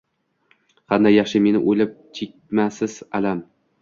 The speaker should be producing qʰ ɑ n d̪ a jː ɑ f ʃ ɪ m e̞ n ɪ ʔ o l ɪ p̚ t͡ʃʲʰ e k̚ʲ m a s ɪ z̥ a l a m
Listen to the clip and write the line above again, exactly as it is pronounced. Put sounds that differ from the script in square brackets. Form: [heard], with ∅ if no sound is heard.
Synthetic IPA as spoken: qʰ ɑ n d̪ a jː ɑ [χ] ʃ ɪ m e̞ n ɪ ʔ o l ɪ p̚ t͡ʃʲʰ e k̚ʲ m a s ɪ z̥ a l a m

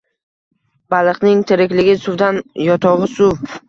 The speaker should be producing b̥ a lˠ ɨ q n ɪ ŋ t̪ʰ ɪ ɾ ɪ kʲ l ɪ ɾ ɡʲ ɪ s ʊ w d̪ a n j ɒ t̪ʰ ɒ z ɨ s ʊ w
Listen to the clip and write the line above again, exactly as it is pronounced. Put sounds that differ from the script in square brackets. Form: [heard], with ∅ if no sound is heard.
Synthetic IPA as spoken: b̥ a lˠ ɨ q n ɪ ŋ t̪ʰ ɪ ɾ ɪ kʲ l ɪ [∅] ɡʲ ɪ s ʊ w d̪ a n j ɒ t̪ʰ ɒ [ʁ] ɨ s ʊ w

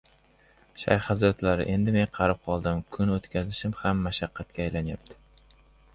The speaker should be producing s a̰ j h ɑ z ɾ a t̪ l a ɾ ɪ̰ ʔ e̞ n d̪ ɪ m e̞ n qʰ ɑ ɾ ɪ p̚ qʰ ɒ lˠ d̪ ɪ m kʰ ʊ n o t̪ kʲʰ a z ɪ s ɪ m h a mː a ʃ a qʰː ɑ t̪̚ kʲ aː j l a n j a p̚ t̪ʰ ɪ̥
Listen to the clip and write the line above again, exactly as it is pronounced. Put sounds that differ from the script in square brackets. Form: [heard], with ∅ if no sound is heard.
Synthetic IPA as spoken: [ʃ] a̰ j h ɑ z ɾ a t̪ l a ɾ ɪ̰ ʔ e̞ n d̪ ɪ m e̞ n qʰ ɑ ɾ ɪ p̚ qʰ ɒ lˠ d̪ ɪ m kʰ ʊ n o t̪ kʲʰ a z ɪ [ʃ] ɪ m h a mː a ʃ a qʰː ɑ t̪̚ kʲ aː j l a n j a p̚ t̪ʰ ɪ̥

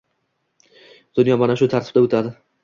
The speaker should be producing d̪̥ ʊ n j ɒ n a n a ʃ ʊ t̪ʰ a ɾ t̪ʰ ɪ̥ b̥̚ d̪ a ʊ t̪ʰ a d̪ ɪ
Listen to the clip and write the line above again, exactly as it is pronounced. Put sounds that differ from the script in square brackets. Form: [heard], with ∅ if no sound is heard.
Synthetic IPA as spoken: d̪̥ ʊ n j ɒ [m] a n a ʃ ʊ t̪ʰ a ɾ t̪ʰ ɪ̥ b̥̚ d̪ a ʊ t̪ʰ a d̪ ɪ

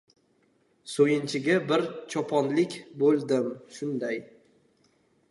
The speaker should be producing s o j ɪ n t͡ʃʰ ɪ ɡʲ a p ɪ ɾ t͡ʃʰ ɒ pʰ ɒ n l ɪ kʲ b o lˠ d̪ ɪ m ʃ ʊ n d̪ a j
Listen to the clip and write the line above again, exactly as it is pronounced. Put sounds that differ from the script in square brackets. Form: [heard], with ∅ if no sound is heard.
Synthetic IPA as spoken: s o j ɪ n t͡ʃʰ ɪ ɡʲ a [b] ɪ ɾ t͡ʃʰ ɒ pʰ ɒ n l ɪ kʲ b o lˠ d̪ ɪ m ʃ ʊ n d̪ a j

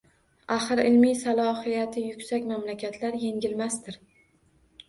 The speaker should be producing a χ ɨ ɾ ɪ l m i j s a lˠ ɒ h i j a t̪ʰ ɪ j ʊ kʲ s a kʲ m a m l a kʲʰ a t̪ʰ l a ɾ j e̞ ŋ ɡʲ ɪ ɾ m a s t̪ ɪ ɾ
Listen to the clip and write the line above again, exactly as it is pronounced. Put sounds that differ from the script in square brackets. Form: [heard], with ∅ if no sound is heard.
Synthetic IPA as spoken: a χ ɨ ɾ ɪ l m i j s a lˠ ɒ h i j a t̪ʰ ɪ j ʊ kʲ s a kʲ m a m l a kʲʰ a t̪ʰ l a ɾ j e̞ ŋ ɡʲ ɪ [l] m a s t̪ ɪ ɾ

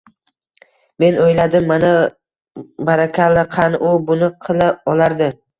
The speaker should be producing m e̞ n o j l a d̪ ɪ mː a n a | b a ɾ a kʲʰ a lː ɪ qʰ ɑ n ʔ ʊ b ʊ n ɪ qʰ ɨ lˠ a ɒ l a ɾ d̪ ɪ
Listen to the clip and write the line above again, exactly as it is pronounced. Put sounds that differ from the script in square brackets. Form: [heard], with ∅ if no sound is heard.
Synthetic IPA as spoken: m e̞ n o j l a d̪ ɪ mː a n a | b a ɾ a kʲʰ a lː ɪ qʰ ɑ n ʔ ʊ b ʊ n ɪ qʰ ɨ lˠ a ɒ l a ɾ d̪ ɪ

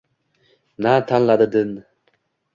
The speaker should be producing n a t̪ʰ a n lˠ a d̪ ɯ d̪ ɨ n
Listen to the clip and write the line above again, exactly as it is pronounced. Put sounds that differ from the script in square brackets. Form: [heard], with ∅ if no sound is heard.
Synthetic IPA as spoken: n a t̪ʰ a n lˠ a d̪ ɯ d̪ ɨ n

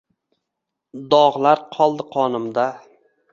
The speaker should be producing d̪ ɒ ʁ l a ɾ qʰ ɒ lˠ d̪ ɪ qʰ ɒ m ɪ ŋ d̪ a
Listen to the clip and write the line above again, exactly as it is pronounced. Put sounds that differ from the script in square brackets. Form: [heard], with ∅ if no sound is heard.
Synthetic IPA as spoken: d̪ ɒ ʁ l a ɾ qʰ ɒ lˠ d̪ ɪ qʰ ɒ [n] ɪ [m] d̪ a

